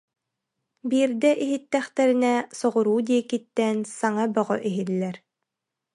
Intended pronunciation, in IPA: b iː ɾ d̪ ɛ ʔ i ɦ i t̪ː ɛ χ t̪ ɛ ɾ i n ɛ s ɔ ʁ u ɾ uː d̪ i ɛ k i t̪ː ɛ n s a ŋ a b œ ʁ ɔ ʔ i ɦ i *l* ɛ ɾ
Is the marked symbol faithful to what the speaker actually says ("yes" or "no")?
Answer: no